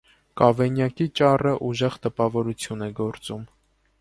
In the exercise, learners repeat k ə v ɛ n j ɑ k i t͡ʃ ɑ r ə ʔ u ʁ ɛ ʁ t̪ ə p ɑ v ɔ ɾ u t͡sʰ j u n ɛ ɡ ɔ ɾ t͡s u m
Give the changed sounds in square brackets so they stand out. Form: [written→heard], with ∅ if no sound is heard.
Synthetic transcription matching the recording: k [ə→ɑ] v ɛ n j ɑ k i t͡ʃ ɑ r ə ʔ u [ʁ→ʒ] ɛ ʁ t̪ ə p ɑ v ɔ ɾ u t͡sʰ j u n ɛ ɡ ɔ ɾ t͡s u m